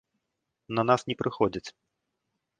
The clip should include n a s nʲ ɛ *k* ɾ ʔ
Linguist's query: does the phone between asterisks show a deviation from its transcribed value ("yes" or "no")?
yes